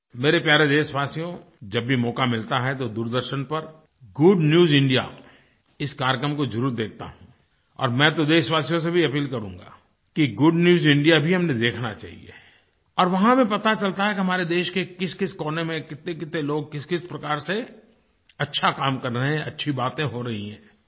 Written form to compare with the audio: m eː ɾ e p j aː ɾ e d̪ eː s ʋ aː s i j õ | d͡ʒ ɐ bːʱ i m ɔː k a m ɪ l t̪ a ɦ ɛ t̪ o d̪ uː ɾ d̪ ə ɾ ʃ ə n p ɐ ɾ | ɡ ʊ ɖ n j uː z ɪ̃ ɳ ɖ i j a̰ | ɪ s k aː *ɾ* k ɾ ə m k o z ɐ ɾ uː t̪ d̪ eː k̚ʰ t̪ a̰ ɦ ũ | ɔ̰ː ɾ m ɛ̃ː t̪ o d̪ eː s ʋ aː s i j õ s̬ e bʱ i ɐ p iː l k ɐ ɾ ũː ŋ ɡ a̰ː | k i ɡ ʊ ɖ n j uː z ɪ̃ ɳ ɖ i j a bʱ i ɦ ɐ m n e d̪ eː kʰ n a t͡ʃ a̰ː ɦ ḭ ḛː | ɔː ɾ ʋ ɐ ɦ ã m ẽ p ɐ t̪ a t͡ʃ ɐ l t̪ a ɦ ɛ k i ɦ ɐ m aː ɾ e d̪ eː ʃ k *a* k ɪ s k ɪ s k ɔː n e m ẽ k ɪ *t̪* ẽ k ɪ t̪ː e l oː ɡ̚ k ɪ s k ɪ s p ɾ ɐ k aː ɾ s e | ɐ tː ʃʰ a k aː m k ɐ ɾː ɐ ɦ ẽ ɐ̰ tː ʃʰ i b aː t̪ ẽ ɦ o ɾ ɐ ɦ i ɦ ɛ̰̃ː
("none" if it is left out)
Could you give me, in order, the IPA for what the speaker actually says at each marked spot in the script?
ɾ, e, t̪

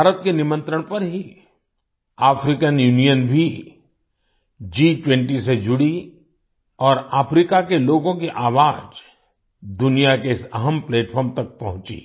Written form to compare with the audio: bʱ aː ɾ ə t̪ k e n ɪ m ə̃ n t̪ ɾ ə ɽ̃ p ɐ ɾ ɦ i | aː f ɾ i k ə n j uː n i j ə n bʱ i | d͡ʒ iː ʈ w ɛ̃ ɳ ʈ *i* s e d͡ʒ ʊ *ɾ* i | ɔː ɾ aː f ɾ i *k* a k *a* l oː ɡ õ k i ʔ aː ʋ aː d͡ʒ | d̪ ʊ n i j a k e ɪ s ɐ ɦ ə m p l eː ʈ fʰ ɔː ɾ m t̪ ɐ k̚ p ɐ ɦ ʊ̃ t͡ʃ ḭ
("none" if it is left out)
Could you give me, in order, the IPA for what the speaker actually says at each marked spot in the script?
i, ɽ, k, e

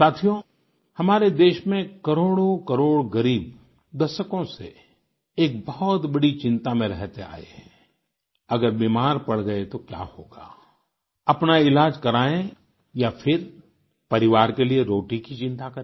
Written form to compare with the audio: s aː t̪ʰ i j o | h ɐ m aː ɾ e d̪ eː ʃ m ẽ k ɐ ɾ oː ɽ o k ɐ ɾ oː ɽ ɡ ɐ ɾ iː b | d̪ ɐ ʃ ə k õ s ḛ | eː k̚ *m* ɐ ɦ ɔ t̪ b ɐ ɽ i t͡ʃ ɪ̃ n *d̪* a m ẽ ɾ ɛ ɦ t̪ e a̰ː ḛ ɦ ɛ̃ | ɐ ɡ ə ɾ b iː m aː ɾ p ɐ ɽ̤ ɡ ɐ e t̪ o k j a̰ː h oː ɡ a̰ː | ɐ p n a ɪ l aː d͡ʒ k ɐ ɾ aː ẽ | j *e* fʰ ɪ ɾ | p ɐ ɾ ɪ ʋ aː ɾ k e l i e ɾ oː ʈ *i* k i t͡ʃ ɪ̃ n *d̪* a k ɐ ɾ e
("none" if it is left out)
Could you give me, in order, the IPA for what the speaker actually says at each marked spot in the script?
b, t̪, a, i, t̪

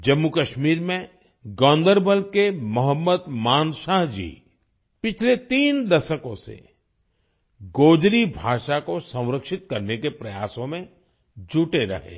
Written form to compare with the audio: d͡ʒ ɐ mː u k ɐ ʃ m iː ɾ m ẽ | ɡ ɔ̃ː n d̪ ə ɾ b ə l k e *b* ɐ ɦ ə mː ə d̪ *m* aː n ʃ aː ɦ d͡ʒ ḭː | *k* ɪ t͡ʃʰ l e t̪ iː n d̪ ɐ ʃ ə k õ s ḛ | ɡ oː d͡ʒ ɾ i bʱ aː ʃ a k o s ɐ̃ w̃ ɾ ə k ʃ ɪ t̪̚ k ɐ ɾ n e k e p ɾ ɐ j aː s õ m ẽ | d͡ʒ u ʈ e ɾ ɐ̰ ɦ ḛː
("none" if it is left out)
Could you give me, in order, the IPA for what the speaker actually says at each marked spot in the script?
m, m, p

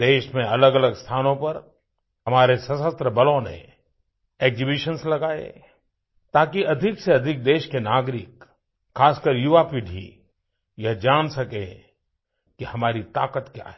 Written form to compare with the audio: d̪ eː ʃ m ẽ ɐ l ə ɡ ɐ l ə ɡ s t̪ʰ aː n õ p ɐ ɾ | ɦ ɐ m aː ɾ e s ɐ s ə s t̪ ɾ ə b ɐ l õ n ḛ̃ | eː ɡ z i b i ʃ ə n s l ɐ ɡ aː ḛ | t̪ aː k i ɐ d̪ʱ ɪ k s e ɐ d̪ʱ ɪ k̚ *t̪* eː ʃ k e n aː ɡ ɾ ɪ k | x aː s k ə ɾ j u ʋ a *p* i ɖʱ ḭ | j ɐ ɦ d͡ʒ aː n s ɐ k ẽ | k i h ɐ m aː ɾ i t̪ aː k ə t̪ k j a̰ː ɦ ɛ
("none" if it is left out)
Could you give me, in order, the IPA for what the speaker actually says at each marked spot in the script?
d̪, p

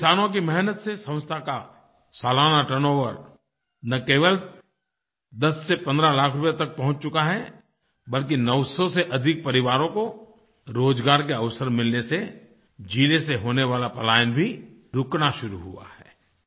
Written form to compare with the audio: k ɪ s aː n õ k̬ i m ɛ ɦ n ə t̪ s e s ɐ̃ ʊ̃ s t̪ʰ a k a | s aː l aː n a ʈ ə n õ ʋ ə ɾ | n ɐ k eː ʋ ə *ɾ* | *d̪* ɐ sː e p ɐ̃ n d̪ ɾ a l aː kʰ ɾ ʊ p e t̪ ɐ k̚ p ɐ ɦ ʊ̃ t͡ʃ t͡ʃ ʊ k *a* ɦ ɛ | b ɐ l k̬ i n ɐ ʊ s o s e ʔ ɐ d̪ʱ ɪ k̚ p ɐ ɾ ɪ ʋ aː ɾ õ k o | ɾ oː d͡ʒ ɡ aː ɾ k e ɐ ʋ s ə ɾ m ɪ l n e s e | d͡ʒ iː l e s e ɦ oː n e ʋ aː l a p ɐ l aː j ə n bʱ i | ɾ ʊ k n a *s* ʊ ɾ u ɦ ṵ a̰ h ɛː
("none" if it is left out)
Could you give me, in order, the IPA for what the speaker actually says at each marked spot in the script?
l, d̪, a, ʃ

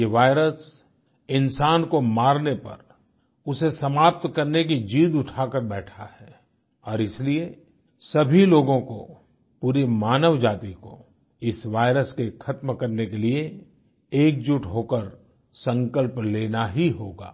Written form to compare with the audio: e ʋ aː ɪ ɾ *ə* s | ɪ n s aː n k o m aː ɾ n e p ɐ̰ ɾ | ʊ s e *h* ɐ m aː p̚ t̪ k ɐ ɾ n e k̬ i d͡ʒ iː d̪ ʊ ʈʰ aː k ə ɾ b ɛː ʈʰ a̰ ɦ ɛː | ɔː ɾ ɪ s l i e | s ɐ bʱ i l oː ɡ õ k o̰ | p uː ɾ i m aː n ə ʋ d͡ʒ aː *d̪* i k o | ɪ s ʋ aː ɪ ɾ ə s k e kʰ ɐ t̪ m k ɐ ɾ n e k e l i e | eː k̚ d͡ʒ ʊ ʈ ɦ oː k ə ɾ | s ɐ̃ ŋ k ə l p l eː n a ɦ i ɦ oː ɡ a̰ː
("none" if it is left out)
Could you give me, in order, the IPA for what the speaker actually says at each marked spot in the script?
ə, s, t̪

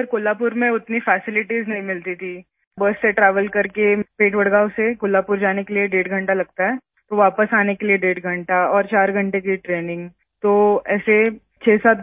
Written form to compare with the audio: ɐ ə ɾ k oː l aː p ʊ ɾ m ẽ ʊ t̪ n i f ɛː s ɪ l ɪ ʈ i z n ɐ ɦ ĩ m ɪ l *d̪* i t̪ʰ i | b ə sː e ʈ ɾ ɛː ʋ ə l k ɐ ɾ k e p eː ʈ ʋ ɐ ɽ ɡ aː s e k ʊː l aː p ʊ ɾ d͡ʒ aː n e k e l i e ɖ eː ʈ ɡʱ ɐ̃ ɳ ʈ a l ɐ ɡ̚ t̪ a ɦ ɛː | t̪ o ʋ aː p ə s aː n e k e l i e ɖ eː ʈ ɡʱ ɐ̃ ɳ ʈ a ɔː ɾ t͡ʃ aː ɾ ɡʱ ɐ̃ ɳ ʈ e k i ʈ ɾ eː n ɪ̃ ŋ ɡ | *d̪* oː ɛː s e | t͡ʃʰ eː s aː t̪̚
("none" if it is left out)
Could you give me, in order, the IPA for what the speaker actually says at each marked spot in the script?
t̪, t̪

